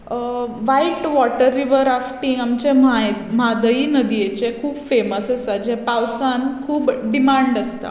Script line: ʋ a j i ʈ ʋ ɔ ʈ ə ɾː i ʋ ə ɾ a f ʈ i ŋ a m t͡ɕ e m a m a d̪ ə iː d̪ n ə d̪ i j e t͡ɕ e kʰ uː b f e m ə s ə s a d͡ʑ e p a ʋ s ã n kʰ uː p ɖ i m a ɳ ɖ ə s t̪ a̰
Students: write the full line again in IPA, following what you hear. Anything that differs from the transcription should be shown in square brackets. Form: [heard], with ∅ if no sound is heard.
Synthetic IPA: ʋ a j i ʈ ʋ ɔ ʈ ə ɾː i ʋ ə ɾ a f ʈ i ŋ a m t͡ɕ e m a m a d̪ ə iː [∅] n ə d̪ i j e t͡ɕ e kʰ uː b f e m ə s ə s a d͡ʑ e p a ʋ s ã n kʰ uː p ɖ i m a ɳ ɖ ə s t̪ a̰